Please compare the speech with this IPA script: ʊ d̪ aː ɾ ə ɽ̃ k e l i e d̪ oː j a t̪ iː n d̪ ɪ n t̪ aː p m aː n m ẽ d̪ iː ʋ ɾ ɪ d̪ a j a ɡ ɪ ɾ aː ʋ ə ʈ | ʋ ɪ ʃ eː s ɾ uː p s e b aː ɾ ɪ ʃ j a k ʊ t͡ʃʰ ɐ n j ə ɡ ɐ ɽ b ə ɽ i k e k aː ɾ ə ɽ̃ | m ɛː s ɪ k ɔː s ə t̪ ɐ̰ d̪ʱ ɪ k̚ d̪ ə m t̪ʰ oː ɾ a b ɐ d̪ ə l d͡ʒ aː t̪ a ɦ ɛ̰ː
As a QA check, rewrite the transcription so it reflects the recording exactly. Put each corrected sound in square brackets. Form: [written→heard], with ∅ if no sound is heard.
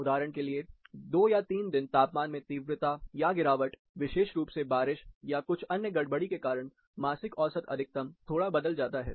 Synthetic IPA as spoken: ʊ d̪ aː ɾ ə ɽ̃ k e l i e d̪ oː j a t̪ iː n d̪ ɪ n t̪ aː p m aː n m ẽ [d̪→t̪] iː ʋ ɾ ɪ [d̪→t̪] a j a ɡ ɪ ɾ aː ʋ ə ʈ | ʋ ɪ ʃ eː [s→ʃ] ɾ uː p s e b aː ɾ ɪ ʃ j a k ʊ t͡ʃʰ ɐ n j ə ɡ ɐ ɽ b ə ɽ i k e k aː ɾ ə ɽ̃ | m [ɛː→aː] s ɪ k ɔː s ə t̪ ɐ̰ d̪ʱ ɪ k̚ [d̪→t̪] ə m t̪ʰ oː [ɾ→ɽ] a b ɐ d̪ ə l d͡ʒ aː t̪ a ɦ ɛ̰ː

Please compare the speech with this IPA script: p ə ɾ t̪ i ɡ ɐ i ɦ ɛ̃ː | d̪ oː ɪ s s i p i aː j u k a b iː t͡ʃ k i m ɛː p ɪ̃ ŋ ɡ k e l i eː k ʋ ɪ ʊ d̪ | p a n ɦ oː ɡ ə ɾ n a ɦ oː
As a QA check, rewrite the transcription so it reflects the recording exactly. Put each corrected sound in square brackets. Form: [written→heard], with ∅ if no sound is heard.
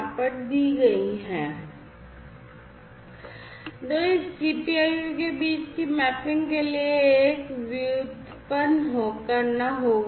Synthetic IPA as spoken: p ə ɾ [t̪→d̪] i ɡ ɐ i ɦ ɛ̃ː | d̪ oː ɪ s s i p i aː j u k [a→e] b iː t͡ʃ k i m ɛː p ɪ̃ ŋ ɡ k e l i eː k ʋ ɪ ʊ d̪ | p [a→ə] n ɦ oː [ɡ→k] ə ɾ n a ɦ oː

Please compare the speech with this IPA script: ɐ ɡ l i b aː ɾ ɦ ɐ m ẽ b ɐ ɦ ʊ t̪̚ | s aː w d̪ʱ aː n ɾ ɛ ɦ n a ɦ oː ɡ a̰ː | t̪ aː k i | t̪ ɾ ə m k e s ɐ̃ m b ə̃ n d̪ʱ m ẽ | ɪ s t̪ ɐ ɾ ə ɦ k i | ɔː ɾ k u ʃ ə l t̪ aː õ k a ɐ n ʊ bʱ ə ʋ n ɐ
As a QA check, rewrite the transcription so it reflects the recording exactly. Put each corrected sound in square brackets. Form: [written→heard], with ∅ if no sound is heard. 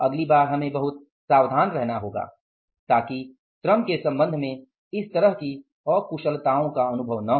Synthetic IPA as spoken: ɐ ɡ l i b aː ɾ ɦ ɐ m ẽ b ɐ ɦ ʊ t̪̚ | s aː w d̪ʱ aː n ɾ ɛ ɦ n a ɦ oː ɡ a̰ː | t̪ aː k i | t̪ ɾ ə m k e s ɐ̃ m b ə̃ n d̪ʱ m ẽ | ɪ s t̪ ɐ ɾ ə ɦ k i | ɔː ɾ k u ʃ ə l t̪ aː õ k a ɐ n ʊ bʱ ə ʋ n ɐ

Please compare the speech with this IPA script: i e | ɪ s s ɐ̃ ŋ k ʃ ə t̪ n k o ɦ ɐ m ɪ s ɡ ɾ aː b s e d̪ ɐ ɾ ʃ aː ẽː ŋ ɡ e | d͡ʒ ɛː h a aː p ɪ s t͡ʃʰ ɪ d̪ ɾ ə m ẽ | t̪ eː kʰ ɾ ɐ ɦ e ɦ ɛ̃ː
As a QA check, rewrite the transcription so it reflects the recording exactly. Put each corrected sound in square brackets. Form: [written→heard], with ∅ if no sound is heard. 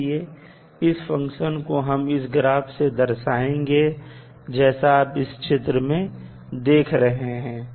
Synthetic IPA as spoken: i e | ɪ s [s→f] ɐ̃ ŋ k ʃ ə [t̪→∅] n k o ɦ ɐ m ɪ s ɡ ɾ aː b s e d̪ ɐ ɾ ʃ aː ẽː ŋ ɡ e | d͡ʒ ɛː [h→s] a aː p ɪ s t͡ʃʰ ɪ [d̪→t̪] ɾ ə m ẽ | [t̪→d̪] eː kʰ ɾ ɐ ɦ e ɦ ɛ̃ː

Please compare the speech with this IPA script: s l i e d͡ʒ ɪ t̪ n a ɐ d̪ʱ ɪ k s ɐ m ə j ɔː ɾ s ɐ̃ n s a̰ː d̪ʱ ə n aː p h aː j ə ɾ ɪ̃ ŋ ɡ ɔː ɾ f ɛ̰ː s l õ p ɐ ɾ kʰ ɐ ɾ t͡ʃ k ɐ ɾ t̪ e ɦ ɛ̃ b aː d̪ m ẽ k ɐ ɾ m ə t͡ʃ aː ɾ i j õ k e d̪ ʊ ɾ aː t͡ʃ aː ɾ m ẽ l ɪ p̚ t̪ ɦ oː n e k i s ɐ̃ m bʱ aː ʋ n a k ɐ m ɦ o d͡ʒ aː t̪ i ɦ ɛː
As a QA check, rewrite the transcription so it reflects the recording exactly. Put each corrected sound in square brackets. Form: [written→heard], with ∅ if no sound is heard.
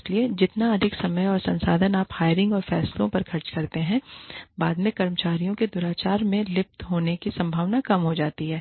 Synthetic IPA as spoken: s l i e d͡ʒ ɪ t̪ n a ɐ d̪ʱ ɪ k s ɐ m ə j ɔː ɾ s ɐ̃ n s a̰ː d̪ʱ ə n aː p h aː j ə ɾ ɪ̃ ŋ ɡ ɔː ɾ f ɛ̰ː s l õ p ɐ ɾ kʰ ɐ ɾ t͡ʃ k ɐ ɾ t̪ e ɦ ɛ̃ b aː d̪ m ẽ k ɐ ɾ m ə t͡ʃ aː ɾ i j õ k e d̪ ʊ ɾ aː t͡ʃ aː ɾ m ẽ l ɪ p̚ t̪ ɦ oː n e k i s ɐ̃ m bʱ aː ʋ n a k ɐ m ɦ o d͡ʒ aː t̪ i ɦ ɛː

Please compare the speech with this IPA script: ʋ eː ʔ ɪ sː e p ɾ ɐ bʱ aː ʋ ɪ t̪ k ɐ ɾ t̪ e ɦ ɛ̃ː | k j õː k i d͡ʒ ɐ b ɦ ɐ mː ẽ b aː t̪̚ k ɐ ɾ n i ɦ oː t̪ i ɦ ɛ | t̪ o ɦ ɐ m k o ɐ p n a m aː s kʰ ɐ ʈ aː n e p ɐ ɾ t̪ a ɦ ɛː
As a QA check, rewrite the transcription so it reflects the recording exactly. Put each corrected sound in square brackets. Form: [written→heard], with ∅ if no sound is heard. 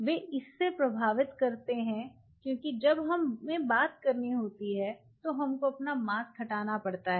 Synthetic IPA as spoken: ʋ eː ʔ ɪ sː e p ɾ ɐ bʱ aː ʋ ɪ t̪ k ɐ ɾ t̪ e ɦ [ɛ̃ː→ɛ̃] | k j õː k i d͡ʒ ɐ b ɦ ɐ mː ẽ b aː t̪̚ k ɐ ɾ n i ɦ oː t̪ i ɦ ɛ | t̪ o ɦ ɐ m k o ɐ p n a m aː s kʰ ɐ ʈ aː n [e→a] p ɐ [ɾ→ɽ] t̪ a ɦ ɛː

